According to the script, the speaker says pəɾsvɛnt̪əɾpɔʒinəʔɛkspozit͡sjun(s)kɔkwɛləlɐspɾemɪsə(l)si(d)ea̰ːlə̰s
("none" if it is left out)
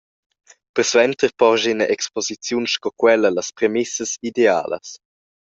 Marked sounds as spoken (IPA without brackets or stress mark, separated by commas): ʃ, none, d